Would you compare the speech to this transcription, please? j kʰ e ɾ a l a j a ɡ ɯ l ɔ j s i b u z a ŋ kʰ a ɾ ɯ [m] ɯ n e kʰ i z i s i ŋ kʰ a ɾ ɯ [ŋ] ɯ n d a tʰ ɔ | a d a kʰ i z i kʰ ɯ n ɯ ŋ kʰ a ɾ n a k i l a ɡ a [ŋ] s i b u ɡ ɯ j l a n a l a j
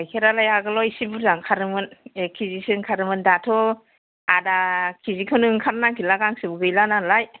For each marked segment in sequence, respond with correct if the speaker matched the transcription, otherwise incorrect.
correct, incorrect, correct

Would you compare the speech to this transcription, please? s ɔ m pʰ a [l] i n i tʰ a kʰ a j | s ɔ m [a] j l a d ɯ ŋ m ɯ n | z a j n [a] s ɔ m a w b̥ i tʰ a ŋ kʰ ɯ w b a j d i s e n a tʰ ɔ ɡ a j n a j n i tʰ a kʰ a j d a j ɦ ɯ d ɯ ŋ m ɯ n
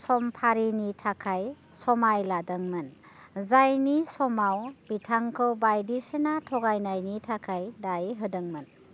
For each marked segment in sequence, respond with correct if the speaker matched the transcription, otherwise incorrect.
incorrect, correct, incorrect

